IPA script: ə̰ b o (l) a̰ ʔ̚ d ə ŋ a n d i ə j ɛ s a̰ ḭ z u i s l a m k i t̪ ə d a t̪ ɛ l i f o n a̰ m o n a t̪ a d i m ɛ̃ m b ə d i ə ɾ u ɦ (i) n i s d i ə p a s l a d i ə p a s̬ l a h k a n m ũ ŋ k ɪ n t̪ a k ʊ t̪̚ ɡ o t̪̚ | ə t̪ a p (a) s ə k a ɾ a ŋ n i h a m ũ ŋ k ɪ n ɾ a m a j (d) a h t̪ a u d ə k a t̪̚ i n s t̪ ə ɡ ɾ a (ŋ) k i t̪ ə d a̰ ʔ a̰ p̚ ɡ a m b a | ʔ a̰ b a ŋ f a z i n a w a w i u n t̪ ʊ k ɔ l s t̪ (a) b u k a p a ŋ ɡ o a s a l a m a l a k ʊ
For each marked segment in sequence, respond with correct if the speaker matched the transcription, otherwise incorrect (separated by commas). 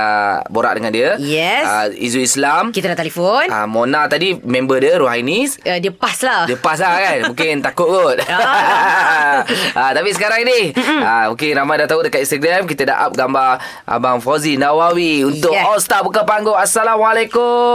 incorrect, incorrect, incorrect, correct, incorrect, correct